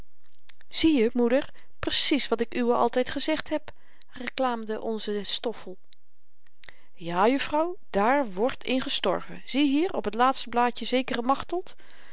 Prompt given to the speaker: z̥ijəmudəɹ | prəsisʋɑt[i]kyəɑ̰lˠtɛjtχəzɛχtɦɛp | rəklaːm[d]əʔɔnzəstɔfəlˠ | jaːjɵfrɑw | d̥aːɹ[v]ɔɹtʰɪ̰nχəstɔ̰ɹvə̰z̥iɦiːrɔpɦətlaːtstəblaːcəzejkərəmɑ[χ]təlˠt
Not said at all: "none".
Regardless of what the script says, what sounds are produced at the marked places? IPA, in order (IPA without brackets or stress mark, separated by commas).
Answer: ɪ, d, ʋ, χ